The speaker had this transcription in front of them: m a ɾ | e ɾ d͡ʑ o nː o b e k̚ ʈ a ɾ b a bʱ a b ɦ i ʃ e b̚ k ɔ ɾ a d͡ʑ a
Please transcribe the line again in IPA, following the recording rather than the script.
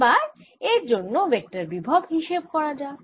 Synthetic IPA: b a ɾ | e ɾ d͡ʑ o nː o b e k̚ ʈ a ɾ b i bʱ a b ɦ i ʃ e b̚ k ɔ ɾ a d͡ʑ a

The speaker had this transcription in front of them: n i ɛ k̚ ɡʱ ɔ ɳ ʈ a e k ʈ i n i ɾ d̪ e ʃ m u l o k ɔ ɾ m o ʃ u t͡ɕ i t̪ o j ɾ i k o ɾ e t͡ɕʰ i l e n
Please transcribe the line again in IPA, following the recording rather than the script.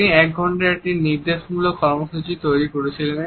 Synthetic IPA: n i ɛ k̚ ɡʱ ɔ ɳ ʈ a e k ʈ i n i ɾ d̪ e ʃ m u l o k ɔ ɾ m o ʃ u t͡ɕ i t̪ o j ɾ i k o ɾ e t͡ɕʰ i l e n

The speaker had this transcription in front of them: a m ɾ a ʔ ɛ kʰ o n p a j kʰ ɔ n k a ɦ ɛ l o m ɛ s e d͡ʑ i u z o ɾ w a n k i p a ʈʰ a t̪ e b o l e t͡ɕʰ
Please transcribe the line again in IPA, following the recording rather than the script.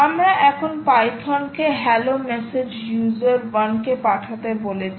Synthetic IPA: a m ɾ a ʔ ɛ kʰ o n p a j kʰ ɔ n k e ɦ ɛ l o m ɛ s e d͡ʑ j u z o ɾ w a n k e p a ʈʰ a t̪ e b o l e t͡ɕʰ

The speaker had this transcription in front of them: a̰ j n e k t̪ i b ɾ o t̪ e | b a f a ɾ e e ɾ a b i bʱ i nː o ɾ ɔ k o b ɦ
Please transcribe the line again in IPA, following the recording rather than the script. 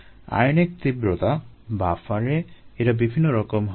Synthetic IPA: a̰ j n e k t̪ i b ɾ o t̪ a | b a f a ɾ e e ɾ a b i bʱ i nː o ɾ ɔ k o m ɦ

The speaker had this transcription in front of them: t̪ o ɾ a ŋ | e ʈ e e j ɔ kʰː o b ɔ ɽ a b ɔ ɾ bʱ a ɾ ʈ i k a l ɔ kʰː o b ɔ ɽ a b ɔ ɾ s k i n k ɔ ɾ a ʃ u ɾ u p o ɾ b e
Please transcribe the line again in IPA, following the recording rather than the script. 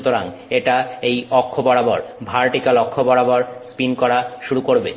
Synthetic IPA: t̪ o ɾ a ŋ | e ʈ a e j ɔ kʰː o b ɔ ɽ a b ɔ ɾ bʱ a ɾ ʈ i k a l ɔ kʰː o b ɔ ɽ a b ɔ ɾ s p i n k ɔ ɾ a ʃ u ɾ u k o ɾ b e

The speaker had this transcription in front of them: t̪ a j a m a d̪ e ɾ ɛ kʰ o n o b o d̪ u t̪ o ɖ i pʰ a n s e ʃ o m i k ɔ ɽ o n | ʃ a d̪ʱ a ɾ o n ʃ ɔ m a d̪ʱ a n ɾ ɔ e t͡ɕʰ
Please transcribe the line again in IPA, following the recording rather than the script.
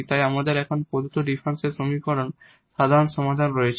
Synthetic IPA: t̪ a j a m a d̪ e ɾ ɛ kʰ o n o p o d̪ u t̪ o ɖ i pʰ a n s e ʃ o m i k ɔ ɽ o n | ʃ a d̪ʱ a ɾ o n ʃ ɔ m a d̪ʱ a n ɾ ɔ e t͡ɕʰ

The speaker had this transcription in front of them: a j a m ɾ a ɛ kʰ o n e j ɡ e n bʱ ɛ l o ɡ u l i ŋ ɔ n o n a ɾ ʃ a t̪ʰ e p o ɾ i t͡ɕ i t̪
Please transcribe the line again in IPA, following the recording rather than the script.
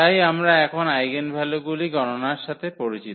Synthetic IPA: a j a m ɾ a ɛ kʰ o n a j ɡ e n bʱ ɛ l o ɡ u l i ɡ ɔ n o n a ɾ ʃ a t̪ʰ e p o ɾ i t͡ɕ i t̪

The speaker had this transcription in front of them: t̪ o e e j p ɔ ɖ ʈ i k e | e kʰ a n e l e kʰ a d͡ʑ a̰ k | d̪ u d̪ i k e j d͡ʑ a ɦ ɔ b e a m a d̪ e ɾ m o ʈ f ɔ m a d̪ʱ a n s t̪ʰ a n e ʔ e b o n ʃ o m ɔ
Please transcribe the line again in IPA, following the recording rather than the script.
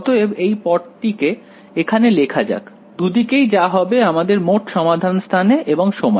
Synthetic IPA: t̪ o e e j p ɔ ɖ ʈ i k e | e kʰ a n e l e kʰ a d͡ʑ a̰ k | d̪ u d̪ i k e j d͡ʑ a ɦ ɔ b e a m a d̪ e ɾ m o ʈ ʃ ɔ m a d̪ʱ a n s t̪ʰ a n e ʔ e b o ŋ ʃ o m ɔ

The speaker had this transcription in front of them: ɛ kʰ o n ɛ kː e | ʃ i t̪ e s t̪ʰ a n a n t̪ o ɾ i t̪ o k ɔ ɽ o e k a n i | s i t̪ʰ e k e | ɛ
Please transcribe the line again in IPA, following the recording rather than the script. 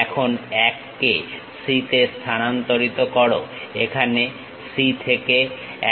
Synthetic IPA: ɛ kʰ o n ɛ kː e | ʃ i t̪ e s t̪ʰ a n a n t̪ o ɾ i t̪ o k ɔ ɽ o e kʰ a n e | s i t̪ʰ e k e | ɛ

